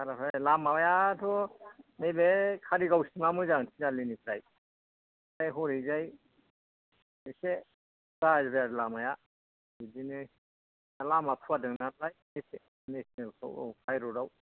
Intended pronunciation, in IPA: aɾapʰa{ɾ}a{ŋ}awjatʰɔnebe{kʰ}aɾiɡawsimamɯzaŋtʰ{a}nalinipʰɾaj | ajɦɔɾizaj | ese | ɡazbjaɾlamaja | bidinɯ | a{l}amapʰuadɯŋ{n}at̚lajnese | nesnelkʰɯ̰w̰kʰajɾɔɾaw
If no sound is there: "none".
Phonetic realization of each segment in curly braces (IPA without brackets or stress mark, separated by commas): l, m, kʰ, i, l, n